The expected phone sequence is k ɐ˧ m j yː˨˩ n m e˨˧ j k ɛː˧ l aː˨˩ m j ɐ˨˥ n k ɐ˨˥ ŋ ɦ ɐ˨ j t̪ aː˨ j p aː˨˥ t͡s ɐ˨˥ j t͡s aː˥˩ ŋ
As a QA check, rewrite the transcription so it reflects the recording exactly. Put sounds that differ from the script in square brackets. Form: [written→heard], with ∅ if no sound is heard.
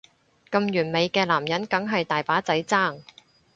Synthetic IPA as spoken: k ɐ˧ m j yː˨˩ n m e˨˧ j k ɛː˧ l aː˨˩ m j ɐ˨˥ n k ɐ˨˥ ŋ ɦ ɐ˨ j t̪ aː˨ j p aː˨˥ t͡s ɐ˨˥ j t͡s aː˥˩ ŋ